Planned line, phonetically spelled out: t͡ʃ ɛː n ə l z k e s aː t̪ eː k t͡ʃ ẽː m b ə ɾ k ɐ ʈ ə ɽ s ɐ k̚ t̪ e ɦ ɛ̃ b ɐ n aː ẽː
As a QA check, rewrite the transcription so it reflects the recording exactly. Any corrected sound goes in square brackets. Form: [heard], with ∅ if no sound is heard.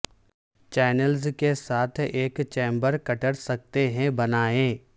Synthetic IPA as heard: t͡ʃ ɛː n ə l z k e s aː [t̪ʰ] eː k t͡ʃ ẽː m b ə ɾ k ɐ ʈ ə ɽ s ɐ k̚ t̪ e ɦ ɛ̃ b ɐ n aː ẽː